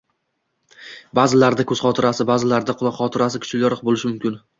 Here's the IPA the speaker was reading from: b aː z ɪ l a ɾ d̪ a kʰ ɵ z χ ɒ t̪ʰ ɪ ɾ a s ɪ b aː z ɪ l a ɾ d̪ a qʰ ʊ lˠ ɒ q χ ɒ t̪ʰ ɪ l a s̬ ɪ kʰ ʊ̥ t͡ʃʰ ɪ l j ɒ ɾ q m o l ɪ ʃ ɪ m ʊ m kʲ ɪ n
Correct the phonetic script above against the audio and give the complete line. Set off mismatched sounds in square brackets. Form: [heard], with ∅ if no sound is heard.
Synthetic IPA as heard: b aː z ɪ l a ɾ d̪ a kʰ ɵ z χ ɒ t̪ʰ ɪ ɾ a s ɪ b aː z ɪ l a ɾ d̪ a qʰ ʊ lˠ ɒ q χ ɒ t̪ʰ ɪ [ɾ] a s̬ ɪ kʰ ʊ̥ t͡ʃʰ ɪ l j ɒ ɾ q [b] o l ɪ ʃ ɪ m ʊ m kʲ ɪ n